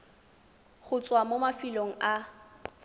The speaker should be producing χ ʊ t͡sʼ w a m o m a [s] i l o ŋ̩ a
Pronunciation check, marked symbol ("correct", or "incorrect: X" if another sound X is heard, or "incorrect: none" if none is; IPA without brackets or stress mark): incorrect: f